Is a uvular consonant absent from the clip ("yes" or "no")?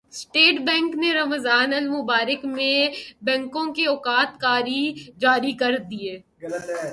yes